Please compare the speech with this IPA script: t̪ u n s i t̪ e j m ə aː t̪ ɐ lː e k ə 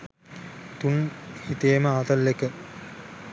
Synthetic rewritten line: t̪ u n h i t̪ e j m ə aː t̪ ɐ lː e k ə

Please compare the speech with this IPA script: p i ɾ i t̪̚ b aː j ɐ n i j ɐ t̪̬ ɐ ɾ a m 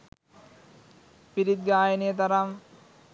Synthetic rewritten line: p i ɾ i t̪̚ ɡ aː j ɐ n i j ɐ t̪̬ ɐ ɾ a m

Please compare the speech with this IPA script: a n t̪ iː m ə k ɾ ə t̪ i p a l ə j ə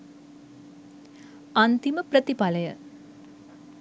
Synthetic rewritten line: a n t̪ i m ə p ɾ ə t̪ i p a l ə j ə

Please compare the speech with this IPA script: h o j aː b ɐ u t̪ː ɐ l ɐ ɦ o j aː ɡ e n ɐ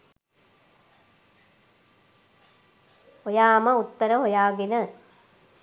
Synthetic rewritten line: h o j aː m ɐ u t̪ː ɐ ɾ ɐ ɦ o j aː ɡ i n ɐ

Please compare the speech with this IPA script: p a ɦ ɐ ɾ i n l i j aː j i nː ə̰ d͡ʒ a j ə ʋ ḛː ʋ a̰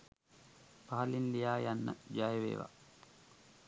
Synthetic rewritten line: p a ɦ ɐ l i n l i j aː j a nː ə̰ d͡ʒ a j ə ʋ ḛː ʋ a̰

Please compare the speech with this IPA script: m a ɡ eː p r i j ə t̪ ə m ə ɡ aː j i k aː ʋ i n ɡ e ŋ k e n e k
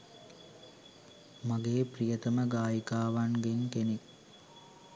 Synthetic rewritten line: m a ɡ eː p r i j ə t̪ ə m ə ɡ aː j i k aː ʋ a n ɡ e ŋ k e n e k

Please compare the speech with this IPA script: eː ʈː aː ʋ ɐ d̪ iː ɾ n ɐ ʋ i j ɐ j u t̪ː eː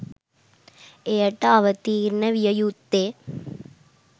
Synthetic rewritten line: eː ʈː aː ʋ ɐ t̪ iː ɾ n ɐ ʋ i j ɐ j u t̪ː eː

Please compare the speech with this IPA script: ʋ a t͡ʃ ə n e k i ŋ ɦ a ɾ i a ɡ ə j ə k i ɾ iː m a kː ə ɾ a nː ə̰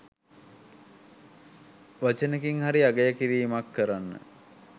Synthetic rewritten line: ʋ a t͡ʃ ə n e k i ŋ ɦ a ɾ i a ɡ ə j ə k i ɾ iː m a kː ə ɾ a nː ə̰

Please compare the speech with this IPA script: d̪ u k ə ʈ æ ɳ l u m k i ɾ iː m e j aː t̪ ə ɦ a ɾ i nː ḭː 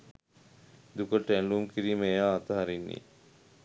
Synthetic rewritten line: d̪ u k ə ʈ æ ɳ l u m k i ɾ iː m e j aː t̪ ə ɦ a ɾ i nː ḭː

